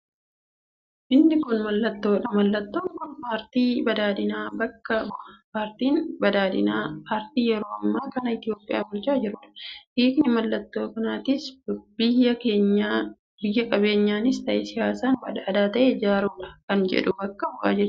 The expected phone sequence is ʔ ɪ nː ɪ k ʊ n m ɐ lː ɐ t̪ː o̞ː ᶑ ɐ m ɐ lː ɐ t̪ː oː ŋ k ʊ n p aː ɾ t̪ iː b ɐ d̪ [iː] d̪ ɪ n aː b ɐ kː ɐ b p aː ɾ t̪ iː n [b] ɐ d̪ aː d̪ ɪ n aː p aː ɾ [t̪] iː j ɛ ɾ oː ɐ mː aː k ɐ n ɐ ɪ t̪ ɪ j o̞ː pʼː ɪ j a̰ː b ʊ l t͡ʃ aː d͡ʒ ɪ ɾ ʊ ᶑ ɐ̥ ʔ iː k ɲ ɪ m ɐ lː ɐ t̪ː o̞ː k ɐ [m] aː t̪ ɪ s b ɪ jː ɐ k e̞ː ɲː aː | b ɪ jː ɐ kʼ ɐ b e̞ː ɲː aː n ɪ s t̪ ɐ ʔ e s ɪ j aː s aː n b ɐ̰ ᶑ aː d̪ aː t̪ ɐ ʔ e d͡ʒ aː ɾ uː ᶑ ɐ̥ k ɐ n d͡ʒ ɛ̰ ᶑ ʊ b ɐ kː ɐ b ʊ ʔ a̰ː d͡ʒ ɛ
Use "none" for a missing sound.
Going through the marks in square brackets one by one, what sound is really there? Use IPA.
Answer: aː, b, t̪, n

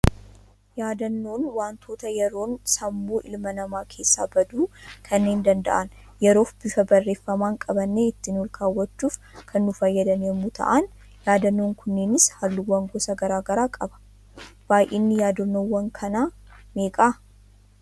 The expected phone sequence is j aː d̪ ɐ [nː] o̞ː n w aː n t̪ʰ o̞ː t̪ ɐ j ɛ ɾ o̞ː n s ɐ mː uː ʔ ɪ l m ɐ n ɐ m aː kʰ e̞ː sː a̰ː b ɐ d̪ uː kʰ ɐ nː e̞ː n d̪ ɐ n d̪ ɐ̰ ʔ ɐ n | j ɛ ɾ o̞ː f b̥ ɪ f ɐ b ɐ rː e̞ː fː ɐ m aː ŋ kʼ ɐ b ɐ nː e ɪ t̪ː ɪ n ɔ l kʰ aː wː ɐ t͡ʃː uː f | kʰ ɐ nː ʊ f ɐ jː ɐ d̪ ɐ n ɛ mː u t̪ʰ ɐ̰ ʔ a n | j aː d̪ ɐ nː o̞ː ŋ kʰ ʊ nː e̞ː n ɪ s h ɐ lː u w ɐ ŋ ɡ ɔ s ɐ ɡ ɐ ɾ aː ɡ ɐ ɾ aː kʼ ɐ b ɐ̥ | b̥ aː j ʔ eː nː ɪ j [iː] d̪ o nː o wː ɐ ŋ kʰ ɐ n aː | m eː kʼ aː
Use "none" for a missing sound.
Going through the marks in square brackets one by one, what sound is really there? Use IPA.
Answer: nː, aː

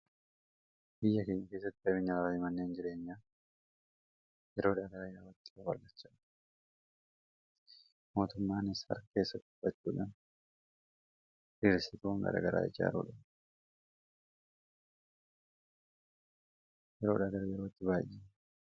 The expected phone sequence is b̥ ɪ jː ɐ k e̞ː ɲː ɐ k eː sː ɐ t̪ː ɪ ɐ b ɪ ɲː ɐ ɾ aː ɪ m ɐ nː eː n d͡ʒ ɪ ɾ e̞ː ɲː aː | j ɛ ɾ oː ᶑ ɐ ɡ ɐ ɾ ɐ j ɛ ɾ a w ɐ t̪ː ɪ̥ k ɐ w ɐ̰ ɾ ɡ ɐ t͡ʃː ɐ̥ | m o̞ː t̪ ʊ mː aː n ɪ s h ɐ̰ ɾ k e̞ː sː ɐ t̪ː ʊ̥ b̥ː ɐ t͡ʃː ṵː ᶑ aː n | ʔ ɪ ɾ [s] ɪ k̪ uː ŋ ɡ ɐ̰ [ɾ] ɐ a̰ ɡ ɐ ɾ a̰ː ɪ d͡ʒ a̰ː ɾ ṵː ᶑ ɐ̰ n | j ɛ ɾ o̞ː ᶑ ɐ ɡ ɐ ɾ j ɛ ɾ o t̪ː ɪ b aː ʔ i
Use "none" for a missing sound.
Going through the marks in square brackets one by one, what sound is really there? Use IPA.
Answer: s, ɾ

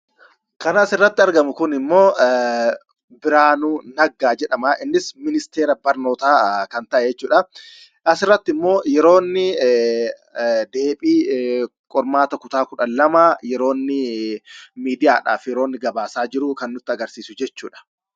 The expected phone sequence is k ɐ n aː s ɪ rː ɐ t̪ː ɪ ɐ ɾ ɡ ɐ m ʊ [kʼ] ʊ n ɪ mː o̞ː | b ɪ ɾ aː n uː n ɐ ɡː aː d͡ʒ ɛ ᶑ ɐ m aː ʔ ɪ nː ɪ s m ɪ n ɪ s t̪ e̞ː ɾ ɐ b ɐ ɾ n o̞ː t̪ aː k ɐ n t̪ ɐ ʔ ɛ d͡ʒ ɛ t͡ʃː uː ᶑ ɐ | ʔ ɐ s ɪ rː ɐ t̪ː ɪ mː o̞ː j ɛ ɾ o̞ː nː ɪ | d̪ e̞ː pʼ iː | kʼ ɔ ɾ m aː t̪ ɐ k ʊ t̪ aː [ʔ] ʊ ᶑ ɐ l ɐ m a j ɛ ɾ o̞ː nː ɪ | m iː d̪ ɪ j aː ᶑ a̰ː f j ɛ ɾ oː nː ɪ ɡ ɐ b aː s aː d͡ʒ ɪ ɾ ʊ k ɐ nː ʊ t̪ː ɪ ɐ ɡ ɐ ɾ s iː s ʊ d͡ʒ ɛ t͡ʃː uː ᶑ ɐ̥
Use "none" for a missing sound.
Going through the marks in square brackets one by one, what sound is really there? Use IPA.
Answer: k, k

